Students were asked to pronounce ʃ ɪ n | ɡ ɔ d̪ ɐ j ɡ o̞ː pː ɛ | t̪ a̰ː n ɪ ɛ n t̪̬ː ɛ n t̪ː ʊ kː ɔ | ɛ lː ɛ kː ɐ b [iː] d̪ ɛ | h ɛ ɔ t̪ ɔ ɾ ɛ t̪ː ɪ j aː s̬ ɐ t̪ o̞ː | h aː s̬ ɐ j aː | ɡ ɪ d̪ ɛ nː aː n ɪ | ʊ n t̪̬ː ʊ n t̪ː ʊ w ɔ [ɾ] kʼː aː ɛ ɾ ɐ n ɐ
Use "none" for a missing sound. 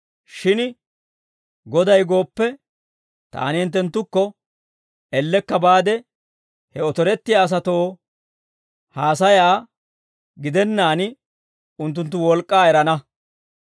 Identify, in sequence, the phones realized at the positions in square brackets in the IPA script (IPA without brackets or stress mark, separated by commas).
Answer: aː, l